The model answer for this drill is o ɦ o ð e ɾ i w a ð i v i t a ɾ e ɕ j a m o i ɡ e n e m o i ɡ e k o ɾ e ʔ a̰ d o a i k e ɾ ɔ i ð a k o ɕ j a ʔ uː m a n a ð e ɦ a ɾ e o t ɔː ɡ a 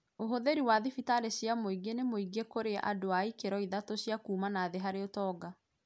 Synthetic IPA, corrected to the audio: o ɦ o ð e ɾ i w a ð i f i t a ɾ e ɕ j a m o i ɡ e n e m o i ɡ e k o ɾ e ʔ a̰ d o a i k e ɾ ɔ i ð a t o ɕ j a k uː m a n a ð e ɦ a ɾ e o t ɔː ɡ a